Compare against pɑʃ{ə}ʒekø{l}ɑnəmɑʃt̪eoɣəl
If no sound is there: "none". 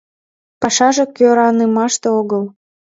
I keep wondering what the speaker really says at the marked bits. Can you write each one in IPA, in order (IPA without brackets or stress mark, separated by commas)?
ɑ, ɾ